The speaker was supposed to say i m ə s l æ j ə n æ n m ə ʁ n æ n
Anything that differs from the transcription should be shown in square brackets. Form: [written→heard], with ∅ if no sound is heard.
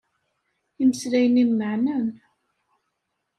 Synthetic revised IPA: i m ə s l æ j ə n [æ→i] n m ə [ʁ→ʕ] n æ n